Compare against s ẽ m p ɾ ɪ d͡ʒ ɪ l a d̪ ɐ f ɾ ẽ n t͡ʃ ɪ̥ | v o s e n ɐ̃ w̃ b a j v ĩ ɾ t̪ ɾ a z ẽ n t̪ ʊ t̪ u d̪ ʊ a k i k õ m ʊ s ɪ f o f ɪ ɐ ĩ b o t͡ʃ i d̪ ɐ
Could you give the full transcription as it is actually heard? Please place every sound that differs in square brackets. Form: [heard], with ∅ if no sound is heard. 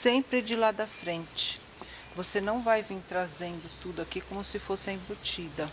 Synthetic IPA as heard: s ẽ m p ɾ ɪ d͡ʒ ɪ l a d̪ ɐ f ɾ ẽ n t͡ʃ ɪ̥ | v o s e n ɐ̃ w̃ [v] a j v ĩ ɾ t̪ ɾ a z ẽ n [d̪] ʊ t̪ u d̪ ʊ a k i k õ m ʊ s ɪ f o [s] ɪ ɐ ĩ b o t͡ʃ i d̪ ɐ